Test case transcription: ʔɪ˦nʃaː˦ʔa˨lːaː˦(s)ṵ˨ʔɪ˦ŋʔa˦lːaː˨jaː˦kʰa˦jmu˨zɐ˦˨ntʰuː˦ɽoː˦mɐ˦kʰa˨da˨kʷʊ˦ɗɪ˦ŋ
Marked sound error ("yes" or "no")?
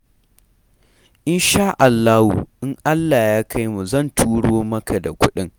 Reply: yes